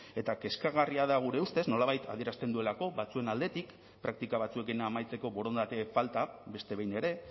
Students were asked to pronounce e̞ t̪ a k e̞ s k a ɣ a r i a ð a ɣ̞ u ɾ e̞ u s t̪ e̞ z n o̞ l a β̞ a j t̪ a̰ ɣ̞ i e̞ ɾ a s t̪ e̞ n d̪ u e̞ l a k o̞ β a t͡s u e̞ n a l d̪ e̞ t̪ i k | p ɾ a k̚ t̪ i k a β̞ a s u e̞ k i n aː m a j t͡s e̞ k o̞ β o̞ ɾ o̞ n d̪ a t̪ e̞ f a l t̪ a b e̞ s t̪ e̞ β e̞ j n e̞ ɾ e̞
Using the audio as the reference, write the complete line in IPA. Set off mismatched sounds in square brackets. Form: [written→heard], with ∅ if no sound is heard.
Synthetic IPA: e̞ t̪ a k e̞ s k a ɣ a r i a ð a ɣ̞ u ɾ e̞ u s t̪ e̞ z n o̞ l a β̞ a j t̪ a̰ [ɣ̞→ð̞] i e̞ ɾ a s t̪ e̞ n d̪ u e̞ l a k o̞ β a t͡s u e̞ n a l d̪ e̞ t̪ i k | p ɾ a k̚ t̪ i k a β̞ a [s→t͡s] u e̞ k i n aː m a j t͡s e̞ k o̞ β o̞ ɾ o̞ n d̪ a t̪ e̞ f a l t̪ a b e̞ s t̪ e̞ β e̞ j n e̞ ɾ e̞